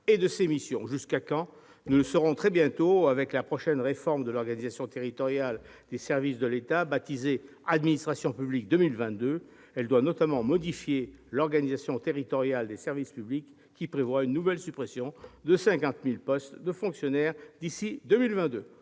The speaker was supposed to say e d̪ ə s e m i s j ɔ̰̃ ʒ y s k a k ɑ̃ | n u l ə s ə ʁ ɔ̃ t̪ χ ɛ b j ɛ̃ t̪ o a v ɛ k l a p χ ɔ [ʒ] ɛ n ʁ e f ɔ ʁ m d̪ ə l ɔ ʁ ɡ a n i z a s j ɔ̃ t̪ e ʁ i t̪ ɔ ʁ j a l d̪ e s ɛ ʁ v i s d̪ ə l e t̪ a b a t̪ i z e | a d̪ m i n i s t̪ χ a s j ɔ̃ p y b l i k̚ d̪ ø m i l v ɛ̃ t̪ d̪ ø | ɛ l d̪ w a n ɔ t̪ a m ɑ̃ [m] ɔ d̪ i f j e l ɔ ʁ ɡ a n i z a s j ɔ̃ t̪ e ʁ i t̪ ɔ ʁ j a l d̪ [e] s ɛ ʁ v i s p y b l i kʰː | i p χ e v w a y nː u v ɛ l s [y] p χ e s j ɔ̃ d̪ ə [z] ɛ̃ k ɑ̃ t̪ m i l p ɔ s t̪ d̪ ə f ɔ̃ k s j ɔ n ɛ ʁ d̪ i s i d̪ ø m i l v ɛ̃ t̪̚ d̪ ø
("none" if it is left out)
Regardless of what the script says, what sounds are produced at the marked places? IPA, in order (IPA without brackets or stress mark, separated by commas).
ʃ, m, e, y, s